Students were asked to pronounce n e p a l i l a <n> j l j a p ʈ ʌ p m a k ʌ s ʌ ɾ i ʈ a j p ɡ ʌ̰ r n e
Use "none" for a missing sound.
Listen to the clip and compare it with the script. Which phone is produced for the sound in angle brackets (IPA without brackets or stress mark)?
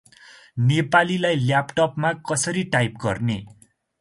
none